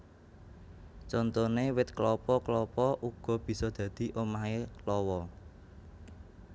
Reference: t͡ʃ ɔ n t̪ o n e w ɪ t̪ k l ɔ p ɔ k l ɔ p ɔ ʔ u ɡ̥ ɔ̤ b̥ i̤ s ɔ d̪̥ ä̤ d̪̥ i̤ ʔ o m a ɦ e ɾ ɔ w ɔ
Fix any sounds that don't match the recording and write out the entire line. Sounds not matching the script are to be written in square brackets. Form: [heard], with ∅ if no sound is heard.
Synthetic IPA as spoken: t͡ʃ ɔ n t̪ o n e w ɪ t̪ k l ɔ p ɔ k l ɔ p ɔ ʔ u ɡ̥ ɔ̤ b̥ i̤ s ɔ d̪̥ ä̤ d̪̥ i̤ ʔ o m a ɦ e [l] ɔ w ɔ